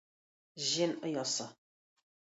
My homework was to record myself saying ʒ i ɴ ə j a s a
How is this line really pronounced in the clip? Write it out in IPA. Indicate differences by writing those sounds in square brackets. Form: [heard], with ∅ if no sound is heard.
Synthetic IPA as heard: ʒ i [n] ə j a s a

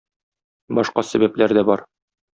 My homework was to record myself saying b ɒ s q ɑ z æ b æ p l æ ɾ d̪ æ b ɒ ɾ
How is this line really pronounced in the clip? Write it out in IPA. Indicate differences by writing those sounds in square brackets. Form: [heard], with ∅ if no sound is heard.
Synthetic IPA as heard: b ɒ [ʃ] q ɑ [s] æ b æ p l æ ɾ d̪ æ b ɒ ɾ

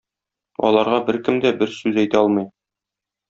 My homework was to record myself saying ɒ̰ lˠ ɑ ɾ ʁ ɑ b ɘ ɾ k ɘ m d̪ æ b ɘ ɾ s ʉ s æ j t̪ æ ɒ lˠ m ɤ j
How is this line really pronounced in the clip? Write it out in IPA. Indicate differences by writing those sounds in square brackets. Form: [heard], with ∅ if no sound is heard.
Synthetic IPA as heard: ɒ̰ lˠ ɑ ɾ ʁ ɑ b ɘ ɾ k ɘ m d̪ æ b ɘ ɾ s ʉ [z] æ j t̪ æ ɒ lˠ m ɤ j

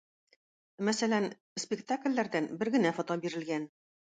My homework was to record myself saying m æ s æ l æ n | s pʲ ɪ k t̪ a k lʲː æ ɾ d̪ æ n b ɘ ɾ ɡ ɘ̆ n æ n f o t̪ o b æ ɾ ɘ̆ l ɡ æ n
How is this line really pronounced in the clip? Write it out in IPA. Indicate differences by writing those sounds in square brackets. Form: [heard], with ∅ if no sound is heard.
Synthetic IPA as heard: m æ s æ l æ n | s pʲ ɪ k t̪ a k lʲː æ ɾ d̪ æ n b ɘ ɾ ɡ ɘ̆ n æ [∅] f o t̪ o b [i] ɾ ɘ̆ l ɡ æ n

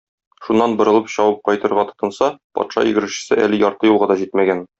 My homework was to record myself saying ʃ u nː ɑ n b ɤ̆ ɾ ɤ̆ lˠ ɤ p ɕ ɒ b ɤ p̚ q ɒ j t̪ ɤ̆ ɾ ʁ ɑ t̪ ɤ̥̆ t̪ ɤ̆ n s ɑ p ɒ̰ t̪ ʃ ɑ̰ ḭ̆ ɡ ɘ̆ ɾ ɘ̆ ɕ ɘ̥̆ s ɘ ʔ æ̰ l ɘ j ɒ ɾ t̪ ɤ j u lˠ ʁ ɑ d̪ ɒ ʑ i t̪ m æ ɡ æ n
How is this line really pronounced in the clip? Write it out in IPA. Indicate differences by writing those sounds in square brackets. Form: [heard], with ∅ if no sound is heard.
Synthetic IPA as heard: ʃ u nː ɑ n b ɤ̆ ɾ ɤ̆ lˠ ɤ p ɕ ɒ [w] ɤ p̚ q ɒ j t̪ ɤ̆ ɾ ʁ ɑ t̪ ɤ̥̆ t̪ ɤ̆ n s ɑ p ɒ̰ t̪ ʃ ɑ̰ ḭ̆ ɡ ɘ̆ ɾ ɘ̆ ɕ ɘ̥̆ s ɘ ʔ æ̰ l ɘ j ɒ ɾ t̪ ɤ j u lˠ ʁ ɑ d̪ ɒ ʑ i t̪ m æ ɡ æ n

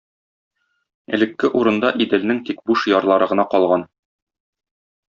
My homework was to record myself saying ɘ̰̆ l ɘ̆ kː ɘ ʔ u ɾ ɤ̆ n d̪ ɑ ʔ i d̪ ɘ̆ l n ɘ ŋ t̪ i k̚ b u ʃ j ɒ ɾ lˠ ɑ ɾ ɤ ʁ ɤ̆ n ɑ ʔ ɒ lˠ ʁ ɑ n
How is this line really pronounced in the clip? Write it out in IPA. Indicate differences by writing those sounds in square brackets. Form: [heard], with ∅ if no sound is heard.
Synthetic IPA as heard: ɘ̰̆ l ɘ̆ kː ɘ ʔ u ɾ ɤ̆ n d̪ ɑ ʔ i d̪ ɘ̆ l n ɘ ŋ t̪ i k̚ b u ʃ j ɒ ɾ lˠ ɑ ɾ ɤ ʁ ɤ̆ n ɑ [q] ɒ lˠ ʁ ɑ n

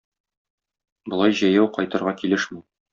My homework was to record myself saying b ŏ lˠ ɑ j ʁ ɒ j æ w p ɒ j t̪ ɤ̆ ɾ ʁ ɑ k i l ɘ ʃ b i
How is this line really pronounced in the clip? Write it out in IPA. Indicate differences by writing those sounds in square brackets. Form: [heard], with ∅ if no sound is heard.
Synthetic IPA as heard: b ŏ lˠ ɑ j [ʑ] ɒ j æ w [q] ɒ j t̪ ɤ̆ ɾ ʁ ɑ k i l ɘ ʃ [m] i

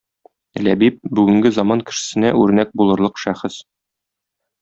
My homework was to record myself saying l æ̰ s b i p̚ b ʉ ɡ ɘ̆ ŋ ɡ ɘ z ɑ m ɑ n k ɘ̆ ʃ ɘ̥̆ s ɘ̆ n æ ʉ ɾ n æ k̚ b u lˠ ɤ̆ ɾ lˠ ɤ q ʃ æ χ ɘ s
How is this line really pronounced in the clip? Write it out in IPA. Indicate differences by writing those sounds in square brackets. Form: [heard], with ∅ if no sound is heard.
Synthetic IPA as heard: l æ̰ [∅] b i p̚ b ʉ ɡ ɘ̆ ŋ ɡ ɘ z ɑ m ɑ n k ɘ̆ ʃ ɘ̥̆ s ɘ̆ n æ ʉ ɾ n æ k̚ b u lˠ ɤ̆ ɾ lˠ ɤ q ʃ æ χ ɘ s

